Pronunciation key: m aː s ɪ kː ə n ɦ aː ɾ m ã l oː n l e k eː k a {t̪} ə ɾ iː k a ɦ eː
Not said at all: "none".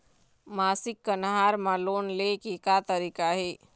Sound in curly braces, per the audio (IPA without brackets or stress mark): t̪